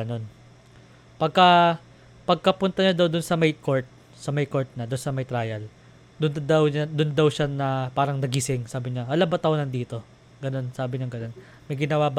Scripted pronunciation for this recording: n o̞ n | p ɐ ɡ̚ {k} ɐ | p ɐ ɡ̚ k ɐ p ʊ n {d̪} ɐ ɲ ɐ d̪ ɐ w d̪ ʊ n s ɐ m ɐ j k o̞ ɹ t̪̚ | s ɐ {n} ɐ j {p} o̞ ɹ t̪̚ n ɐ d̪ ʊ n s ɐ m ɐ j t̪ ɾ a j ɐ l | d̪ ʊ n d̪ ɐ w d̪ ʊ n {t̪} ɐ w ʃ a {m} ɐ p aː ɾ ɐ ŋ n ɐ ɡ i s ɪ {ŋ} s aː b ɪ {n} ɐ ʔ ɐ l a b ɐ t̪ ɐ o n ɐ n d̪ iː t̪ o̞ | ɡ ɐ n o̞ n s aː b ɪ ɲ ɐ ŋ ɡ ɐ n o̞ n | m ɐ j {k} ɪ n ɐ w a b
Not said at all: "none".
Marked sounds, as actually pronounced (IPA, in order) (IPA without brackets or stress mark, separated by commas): k, t̪, m, k, d̪, n, ŋ, ɲ, ɡ